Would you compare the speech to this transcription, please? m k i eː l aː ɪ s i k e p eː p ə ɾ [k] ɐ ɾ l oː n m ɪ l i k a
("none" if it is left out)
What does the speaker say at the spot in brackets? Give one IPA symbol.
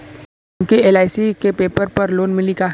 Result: p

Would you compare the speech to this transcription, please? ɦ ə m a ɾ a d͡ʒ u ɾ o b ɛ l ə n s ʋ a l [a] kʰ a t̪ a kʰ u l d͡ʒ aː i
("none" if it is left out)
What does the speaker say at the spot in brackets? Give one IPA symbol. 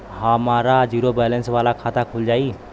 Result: a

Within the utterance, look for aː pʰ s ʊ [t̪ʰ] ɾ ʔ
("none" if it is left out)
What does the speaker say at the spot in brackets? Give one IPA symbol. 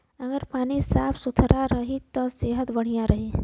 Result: t̪ʰ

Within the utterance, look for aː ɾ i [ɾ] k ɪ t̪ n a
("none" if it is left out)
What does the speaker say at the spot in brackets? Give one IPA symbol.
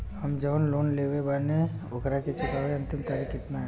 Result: none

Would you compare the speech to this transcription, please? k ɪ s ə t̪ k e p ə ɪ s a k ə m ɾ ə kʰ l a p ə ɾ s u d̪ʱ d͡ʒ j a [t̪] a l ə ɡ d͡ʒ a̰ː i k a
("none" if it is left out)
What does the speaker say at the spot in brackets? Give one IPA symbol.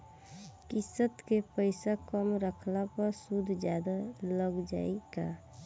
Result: d̪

